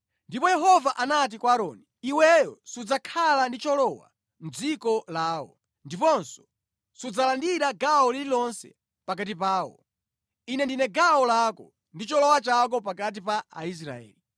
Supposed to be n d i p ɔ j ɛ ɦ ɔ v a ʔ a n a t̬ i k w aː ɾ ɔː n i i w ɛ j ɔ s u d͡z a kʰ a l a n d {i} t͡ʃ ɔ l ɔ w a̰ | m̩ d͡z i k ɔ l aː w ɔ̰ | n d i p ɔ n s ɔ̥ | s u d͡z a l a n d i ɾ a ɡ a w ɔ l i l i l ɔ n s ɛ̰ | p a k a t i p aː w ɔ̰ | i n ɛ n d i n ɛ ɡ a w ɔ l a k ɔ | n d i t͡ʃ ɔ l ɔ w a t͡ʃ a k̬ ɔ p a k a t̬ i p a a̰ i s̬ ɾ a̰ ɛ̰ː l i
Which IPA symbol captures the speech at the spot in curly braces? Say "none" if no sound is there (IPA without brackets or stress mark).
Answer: i